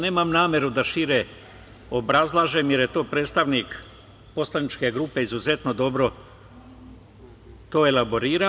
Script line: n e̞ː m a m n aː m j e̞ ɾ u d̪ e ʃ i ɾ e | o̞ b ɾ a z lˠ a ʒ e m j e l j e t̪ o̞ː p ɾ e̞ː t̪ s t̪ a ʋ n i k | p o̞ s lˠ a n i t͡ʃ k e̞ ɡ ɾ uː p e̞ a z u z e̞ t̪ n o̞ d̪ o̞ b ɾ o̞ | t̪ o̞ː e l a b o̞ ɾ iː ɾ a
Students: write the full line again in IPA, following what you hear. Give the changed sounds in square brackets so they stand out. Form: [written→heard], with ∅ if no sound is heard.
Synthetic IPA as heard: n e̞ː m a m n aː m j e̞ ɾ u d̪ [e→a] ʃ i ɾ e | o̞ b ɾ a z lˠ a ʒ e m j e [l→ɾ] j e t̪ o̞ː p ɾ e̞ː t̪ s t̪ a ʋ n i k | p o̞ s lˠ a n i t͡ʃ k e̞ ɡ ɾ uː p e̞ [a→i] z u z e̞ t̪ n o̞ d̪ o̞ b ɾ o̞ | t̪ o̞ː e l a b o̞ ɾ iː ɾ a